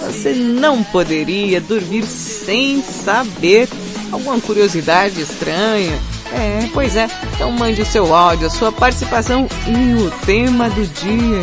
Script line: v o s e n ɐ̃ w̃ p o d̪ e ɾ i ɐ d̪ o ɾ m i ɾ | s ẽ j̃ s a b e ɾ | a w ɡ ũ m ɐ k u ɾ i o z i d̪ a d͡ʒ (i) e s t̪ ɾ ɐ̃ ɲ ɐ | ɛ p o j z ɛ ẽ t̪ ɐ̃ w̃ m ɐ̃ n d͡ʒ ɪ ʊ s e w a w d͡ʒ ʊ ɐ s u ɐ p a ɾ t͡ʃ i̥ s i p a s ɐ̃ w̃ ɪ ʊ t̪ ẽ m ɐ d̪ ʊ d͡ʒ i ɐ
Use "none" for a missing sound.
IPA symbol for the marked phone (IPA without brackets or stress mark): ɪ